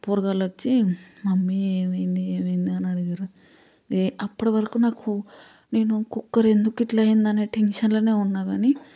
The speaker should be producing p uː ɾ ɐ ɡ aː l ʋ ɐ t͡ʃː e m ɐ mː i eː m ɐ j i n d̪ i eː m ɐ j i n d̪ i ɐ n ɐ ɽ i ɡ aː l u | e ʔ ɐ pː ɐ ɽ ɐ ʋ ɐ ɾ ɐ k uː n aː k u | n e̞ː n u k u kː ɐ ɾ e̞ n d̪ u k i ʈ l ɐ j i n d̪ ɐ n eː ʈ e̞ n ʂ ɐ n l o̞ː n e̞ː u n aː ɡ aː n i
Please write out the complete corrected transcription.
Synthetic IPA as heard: p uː ɾ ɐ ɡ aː l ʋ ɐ t͡ʃː i m ɐ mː i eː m ɐ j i n d̪ i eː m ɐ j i n d̪ i ɐ n ɐ ɽ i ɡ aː ɾ u | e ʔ ɐ pː ɐ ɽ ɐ ʋ ɐ ɾ ɐ k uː n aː k u | n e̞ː n u k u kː ɐ ɾ e̞ n d̪ u k i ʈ l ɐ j i n d̪ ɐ n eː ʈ e̞ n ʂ ɐ n l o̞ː n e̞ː u nː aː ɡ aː n i

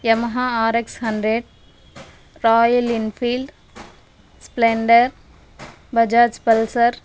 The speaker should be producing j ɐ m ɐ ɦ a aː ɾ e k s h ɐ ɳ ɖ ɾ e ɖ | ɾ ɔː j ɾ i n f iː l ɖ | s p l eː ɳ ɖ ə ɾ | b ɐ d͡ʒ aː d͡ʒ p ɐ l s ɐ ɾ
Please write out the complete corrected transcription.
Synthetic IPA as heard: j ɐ m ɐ ɦ a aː ɾ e k s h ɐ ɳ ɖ ɾ e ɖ | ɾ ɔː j l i n f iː l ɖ | s p l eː ɳ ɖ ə ɾ | b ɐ d͡ʒ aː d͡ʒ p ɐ l s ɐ ɾ

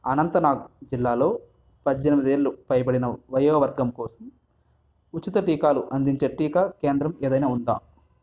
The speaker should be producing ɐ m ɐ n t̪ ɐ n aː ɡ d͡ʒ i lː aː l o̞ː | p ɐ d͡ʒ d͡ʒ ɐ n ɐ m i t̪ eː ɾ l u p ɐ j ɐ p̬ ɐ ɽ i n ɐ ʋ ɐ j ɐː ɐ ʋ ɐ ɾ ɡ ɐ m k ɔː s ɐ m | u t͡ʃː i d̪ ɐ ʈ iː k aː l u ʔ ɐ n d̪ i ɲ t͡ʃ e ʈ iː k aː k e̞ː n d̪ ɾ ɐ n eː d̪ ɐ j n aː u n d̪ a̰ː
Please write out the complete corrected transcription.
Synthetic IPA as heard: ɐ n ɐ n t̪ ɐ n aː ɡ d͡ʒ i lː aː l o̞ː | p ɐ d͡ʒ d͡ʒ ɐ n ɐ m i d̪ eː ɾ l u p ɐ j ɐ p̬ ɐ ɽ i n ɐ ʋ ɐ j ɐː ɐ ʋ ɐ ɾ ɡ ɐ m k ɔː s ɐ m | u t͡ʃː i t̪ ɐ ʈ iː k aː l u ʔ ɐ n d̪ i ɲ t͡ʃ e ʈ iː k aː k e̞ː n d̪ ɾ ɐ m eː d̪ ɐ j n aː u n d̪ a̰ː

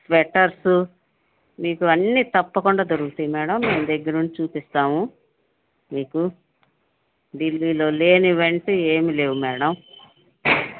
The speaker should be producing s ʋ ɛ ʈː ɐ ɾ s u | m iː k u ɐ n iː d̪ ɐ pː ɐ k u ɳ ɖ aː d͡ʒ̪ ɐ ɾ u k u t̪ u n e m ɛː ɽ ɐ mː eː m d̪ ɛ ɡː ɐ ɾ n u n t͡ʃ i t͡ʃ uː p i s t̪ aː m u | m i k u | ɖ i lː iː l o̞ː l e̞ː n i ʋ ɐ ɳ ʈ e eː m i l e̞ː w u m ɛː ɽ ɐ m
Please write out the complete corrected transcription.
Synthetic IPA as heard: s ʋ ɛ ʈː ɐ ɾ s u | m iː k u ɐ nː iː t̪ ɐ pː ɐ k u ɳ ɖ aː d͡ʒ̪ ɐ ɾ u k u t̪ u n i m ɛː ɽ ɐ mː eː m d̪ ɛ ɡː ɐ ɾ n u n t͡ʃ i t͡ʃ uː p i s t̪ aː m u | m iː k u | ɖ i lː iː l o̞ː l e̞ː n i ʋ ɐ ɳ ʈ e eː m i l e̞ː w u m ɛː ɽ ɐ m

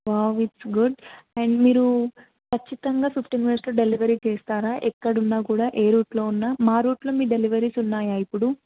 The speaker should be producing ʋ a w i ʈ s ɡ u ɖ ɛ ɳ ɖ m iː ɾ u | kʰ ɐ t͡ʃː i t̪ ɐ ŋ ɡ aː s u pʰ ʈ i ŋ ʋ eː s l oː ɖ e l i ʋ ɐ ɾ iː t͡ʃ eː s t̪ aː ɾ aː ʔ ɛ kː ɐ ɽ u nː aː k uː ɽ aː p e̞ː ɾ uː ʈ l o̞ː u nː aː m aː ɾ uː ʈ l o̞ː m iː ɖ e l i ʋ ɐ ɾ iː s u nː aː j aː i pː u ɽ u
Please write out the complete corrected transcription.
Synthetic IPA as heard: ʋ a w i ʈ s ɡ u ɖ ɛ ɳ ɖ m iː ɾ u | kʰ ɐ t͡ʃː i t̪ ɐ ŋ ɡ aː s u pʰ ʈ i ŋ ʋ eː s l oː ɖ e l i ʋ ɐ ɾ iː t͡ʃ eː s t̪ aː ɾ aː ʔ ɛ kː ɐ ɽ u nː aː k uː ɽ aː ʔ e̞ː ɾ uː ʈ l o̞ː u nː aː m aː ɾ uː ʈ l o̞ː m iː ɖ e l i ʋ ɐ ɾ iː s u nː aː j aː i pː u ɽ u

